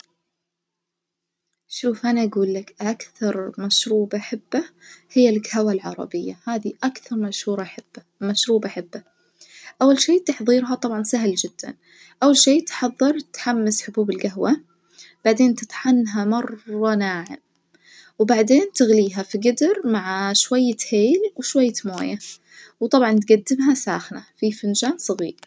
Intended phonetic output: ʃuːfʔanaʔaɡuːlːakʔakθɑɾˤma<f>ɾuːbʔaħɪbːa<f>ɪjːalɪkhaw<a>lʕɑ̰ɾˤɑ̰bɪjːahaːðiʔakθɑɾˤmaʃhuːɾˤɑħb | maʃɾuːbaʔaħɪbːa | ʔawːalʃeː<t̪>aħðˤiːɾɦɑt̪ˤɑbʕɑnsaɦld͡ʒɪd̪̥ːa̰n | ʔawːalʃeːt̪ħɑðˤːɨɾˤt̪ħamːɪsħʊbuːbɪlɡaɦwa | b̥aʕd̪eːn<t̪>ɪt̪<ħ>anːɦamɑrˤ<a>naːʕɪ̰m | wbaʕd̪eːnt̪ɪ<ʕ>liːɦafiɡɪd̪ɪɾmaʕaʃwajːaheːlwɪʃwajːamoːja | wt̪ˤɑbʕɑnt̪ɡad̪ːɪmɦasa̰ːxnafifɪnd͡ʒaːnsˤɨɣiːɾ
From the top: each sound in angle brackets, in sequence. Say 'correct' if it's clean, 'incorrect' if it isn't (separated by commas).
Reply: incorrect, incorrect, correct, correct, correct, correct, incorrect, incorrect